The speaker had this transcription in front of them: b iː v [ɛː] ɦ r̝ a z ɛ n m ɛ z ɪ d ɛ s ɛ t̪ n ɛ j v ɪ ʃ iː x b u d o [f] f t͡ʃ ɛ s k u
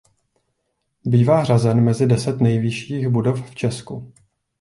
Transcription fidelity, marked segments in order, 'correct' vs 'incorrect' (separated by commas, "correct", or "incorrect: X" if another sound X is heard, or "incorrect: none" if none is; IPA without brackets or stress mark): incorrect: aː, correct